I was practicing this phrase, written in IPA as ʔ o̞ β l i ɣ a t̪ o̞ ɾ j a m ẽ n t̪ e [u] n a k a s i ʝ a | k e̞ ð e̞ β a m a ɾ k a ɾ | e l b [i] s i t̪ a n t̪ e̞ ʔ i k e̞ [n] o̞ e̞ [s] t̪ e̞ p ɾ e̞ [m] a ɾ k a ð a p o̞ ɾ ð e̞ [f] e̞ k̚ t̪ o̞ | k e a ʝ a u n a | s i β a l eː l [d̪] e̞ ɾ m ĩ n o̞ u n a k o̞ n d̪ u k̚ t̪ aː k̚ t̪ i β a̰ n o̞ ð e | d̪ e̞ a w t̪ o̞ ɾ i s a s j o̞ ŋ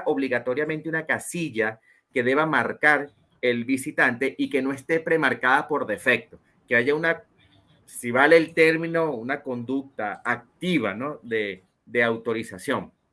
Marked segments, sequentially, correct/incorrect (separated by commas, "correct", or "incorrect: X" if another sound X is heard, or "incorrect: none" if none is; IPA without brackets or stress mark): correct, correct, correct, correct, correct, correct, incorrect: t̪